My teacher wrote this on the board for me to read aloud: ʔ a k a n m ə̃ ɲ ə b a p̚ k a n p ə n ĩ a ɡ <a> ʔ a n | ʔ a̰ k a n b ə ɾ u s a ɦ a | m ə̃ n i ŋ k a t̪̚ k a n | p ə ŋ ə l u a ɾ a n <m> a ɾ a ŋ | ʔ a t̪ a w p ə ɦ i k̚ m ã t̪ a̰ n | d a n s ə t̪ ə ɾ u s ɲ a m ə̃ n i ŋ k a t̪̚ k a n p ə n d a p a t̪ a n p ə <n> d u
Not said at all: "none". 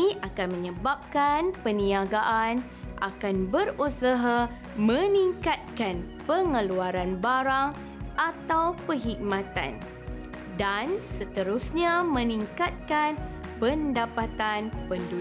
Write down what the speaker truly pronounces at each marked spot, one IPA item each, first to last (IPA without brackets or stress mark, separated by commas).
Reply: a, b, n